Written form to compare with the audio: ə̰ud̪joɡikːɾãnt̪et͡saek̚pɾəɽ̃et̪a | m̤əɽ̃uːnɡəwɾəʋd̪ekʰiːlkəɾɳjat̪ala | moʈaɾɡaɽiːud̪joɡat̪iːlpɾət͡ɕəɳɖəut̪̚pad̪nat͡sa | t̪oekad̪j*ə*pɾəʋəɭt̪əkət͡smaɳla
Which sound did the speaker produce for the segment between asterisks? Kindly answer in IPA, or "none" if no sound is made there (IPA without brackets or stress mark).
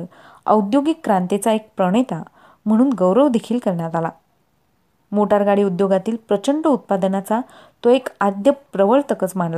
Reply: ə